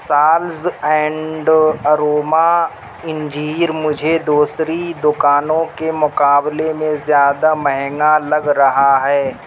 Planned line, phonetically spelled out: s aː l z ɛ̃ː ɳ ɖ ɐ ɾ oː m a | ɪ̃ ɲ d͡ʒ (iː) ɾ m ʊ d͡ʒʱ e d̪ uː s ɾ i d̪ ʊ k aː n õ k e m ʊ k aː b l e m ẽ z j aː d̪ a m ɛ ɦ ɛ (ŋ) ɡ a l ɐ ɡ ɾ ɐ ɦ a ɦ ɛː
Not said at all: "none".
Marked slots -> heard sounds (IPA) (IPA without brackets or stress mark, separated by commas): iː, ŋ